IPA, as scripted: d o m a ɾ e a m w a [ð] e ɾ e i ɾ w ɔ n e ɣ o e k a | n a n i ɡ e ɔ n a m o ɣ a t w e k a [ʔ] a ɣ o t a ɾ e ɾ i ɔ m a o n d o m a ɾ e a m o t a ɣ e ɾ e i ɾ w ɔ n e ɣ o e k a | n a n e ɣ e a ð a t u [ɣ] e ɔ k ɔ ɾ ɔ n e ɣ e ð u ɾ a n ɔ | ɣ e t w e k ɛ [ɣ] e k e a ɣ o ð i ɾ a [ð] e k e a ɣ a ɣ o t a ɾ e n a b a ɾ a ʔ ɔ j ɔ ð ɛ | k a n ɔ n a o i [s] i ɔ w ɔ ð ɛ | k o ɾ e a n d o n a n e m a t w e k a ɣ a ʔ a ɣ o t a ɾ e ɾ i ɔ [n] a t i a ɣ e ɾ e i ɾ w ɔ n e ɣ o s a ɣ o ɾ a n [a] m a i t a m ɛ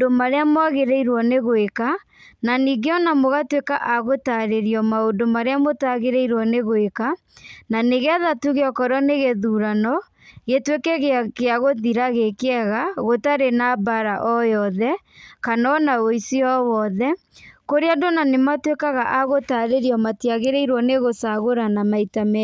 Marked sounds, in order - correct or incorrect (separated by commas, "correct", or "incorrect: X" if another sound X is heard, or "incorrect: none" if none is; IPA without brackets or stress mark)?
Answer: incorrect: ɣ, correct, correct, correct, incorrect: ɣ, correct, incorrect: m, correct